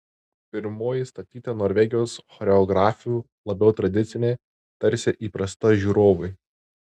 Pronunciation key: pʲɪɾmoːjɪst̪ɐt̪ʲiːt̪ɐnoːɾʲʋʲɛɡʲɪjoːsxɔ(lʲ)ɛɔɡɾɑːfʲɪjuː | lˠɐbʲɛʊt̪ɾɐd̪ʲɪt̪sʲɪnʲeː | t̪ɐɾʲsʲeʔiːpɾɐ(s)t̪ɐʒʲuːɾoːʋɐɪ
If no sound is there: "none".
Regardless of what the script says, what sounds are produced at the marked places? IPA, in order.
ɾʲ, s

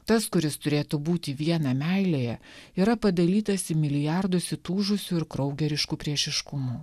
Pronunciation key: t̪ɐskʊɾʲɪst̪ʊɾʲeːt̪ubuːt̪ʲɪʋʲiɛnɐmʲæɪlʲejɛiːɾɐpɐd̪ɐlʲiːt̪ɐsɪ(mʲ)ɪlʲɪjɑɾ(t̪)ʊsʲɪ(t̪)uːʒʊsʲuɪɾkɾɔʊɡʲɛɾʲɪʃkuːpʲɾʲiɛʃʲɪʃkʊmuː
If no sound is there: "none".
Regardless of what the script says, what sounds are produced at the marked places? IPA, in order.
mʲ, d̪, t̪

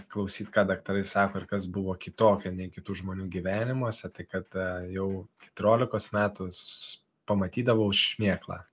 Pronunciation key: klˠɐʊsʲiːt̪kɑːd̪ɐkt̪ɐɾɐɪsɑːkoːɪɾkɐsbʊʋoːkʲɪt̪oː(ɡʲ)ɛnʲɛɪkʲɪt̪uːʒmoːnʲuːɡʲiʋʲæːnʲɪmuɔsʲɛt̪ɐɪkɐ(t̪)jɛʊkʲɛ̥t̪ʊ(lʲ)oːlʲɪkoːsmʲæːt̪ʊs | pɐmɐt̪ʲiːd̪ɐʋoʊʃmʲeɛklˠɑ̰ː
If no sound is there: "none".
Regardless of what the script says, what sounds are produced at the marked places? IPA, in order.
kʲ, t̪, ɾʲ

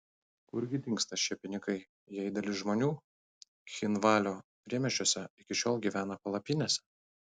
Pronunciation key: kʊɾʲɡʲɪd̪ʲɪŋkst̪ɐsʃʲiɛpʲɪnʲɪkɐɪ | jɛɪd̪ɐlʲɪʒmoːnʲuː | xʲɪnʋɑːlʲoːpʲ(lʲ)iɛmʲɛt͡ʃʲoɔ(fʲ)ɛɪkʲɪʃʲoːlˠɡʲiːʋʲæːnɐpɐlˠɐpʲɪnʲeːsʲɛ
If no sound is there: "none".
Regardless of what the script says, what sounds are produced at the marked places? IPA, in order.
ɾʲ, sʲ

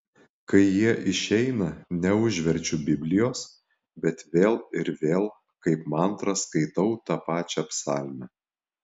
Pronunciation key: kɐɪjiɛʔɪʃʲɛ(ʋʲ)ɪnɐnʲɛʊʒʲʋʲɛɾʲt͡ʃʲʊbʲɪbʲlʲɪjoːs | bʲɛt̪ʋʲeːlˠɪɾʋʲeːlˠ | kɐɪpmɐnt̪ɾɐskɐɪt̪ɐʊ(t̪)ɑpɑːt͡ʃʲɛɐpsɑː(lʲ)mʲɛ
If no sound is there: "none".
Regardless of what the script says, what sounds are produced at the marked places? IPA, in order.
none, t̪, lʲ

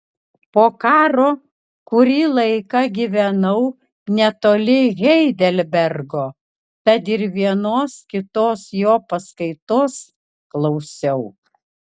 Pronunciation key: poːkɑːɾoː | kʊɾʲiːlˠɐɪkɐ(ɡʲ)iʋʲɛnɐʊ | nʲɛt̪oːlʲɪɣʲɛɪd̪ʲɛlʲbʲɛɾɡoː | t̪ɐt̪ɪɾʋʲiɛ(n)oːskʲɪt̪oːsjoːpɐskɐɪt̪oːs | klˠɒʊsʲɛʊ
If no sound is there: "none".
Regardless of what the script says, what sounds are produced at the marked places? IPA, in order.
ɡʲ, n

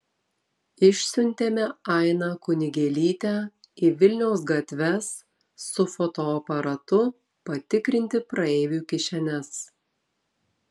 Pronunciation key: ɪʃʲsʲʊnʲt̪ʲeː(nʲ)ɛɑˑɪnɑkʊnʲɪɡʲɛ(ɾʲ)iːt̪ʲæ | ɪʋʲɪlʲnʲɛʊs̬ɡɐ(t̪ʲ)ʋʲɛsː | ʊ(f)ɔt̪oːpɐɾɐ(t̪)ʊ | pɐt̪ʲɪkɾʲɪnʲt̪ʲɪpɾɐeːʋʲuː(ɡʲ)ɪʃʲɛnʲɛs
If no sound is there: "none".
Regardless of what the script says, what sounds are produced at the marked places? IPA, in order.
mʲ, lʲ, t̪ʲ, f, t̪, kʲ

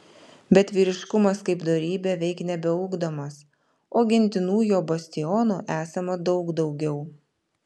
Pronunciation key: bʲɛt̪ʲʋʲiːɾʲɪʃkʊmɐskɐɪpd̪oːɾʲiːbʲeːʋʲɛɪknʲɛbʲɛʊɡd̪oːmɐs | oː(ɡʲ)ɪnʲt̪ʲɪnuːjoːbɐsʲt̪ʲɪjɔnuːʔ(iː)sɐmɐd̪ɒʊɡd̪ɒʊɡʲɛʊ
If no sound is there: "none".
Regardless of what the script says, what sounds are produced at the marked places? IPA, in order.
ɡʲ, æː

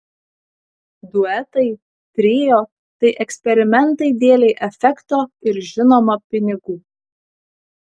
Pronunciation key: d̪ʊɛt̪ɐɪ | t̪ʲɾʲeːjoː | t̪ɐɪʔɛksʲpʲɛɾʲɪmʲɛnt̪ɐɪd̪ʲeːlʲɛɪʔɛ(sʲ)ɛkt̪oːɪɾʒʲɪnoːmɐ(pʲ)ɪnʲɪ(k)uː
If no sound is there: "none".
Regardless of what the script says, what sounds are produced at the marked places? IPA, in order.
fʲ, pʲ, ɡ

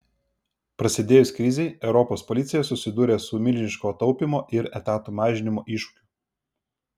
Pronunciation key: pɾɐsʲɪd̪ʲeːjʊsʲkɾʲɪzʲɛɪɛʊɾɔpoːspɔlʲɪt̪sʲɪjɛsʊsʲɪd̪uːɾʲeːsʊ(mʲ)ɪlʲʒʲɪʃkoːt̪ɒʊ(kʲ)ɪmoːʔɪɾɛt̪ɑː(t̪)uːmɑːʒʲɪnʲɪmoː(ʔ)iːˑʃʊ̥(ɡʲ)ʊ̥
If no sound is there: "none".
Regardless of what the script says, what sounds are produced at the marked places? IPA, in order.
mʲ, pʲ, t̪, ʔ, kʲ

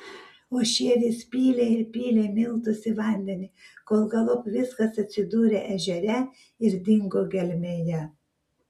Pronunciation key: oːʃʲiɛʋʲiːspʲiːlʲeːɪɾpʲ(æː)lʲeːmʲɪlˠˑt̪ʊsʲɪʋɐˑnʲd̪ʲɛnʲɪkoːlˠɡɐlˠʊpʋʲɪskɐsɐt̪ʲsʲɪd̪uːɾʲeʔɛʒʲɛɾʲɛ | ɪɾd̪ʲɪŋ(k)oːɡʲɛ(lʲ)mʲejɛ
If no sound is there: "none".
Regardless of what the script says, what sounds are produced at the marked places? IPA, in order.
iː, ɡ, lʲ

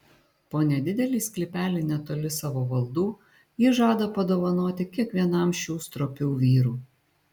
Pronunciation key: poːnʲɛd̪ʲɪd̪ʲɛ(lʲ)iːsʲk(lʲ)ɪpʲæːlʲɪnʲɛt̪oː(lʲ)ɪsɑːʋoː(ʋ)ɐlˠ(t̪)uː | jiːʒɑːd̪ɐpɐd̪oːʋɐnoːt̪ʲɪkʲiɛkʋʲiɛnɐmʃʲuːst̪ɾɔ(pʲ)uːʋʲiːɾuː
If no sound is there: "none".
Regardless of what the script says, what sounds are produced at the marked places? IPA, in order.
lʲ, lʲ, lʲ, ʋ, d̪, pʲ

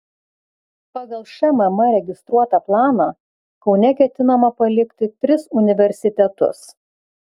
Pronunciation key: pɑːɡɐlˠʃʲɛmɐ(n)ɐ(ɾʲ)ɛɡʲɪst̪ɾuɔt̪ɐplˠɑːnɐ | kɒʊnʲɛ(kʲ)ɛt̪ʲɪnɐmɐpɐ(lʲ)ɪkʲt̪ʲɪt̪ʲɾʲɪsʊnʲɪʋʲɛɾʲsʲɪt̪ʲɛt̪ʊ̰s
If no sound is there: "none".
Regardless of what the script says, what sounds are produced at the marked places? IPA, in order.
m, ɾʲ, kʲ, lʲ

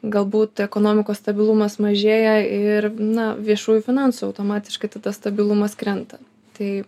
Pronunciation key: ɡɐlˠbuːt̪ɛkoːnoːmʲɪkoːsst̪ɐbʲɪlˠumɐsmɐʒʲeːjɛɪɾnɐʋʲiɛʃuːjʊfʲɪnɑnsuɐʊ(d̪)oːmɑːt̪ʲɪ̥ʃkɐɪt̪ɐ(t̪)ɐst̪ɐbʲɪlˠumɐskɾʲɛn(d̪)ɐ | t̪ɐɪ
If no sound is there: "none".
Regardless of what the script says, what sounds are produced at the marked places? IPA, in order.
t̪, d̪, t̪

